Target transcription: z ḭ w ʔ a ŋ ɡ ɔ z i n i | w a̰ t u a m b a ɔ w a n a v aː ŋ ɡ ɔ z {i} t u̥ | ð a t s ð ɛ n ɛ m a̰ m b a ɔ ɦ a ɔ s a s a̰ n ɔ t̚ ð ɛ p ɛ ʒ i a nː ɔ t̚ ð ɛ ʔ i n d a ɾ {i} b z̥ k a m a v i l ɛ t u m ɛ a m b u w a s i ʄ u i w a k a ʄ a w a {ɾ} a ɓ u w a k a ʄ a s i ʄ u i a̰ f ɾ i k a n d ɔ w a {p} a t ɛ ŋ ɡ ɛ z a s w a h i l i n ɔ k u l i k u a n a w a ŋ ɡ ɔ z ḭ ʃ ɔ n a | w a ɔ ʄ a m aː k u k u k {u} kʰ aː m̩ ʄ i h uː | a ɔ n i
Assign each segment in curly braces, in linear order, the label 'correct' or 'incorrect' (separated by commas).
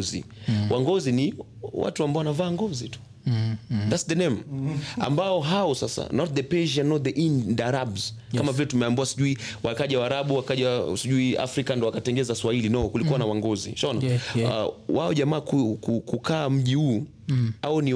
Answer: correct, incorrect, correct, incorrect, correct